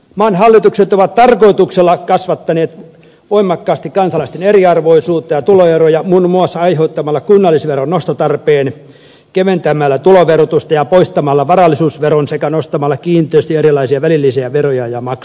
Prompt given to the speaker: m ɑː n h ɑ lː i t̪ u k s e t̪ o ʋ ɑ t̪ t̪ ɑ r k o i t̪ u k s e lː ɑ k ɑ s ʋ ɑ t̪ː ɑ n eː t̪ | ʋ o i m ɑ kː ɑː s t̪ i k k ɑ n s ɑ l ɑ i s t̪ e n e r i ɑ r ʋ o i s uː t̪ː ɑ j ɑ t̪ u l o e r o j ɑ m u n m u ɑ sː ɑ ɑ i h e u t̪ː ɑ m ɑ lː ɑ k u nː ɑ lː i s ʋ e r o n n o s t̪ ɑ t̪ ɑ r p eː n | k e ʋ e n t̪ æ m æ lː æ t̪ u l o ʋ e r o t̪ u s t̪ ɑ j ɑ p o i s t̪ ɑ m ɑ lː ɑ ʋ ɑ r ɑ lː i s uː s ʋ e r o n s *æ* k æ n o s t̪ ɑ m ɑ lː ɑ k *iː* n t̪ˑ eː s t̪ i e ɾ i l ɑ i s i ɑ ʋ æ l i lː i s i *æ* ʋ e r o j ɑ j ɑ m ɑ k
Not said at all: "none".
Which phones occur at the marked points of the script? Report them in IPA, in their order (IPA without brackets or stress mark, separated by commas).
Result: e, iː, æ